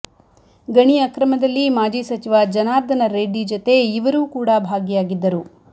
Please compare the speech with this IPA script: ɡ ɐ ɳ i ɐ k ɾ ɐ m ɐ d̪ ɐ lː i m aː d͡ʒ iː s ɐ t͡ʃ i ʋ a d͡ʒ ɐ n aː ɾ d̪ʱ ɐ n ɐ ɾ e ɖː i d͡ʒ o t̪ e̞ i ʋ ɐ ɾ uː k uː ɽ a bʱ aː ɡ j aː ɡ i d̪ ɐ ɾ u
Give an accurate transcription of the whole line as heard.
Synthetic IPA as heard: ɡ ɐ ɳ i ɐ k ɾ ɐ m ɐ d̪ ɐ lː i m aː d͡ʒ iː s ɐ t͡ʃ i ʋ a d͡ʒ ɐ n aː ɾ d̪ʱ ɐ n ɐ ɾ e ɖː i d͡ʒ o t̪ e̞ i ʋ ɐ ɾ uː k uː ɽ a bʱ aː ɡ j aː ɡ i d̪ː ɐ ɾ u